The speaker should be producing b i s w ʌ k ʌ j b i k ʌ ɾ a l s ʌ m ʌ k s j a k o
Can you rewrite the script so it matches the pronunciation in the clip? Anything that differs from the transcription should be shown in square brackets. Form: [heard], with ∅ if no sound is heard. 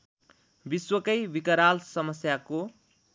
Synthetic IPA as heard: b i s w ʌ k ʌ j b i k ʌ ɾ a l s ʌ m ʌ [∅] s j a k o